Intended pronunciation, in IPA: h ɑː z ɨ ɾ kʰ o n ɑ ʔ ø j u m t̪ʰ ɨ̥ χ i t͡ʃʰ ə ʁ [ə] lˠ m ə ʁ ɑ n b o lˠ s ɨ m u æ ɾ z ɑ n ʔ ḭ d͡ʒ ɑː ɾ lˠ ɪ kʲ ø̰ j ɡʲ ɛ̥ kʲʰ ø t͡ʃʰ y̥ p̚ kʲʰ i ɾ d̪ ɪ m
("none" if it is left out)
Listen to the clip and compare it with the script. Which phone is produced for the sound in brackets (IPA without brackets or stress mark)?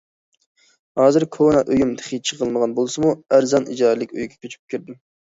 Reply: ə